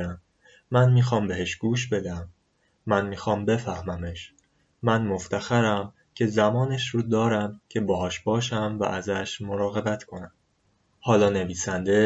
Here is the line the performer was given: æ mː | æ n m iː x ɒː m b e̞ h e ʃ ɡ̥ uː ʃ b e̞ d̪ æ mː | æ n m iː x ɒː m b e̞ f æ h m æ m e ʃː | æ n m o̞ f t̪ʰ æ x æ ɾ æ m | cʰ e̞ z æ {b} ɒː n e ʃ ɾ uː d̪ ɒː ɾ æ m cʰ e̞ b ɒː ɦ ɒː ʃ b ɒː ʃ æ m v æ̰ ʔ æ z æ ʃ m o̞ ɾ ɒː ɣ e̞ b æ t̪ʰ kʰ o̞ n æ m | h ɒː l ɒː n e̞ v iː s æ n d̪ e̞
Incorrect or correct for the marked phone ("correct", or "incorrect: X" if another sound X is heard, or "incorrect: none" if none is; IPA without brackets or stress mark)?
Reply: incorrect: m